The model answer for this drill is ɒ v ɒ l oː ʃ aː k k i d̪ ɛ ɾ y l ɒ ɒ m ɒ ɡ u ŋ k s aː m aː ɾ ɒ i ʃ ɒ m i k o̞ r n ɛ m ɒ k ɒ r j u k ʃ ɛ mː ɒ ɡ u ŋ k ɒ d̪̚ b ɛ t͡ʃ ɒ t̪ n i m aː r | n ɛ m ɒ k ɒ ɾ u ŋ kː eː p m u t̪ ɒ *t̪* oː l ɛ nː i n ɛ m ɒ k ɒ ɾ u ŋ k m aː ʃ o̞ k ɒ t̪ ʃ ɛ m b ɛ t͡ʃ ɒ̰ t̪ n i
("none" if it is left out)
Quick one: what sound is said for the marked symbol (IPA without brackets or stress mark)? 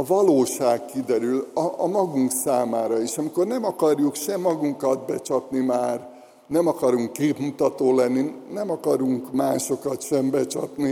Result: t̪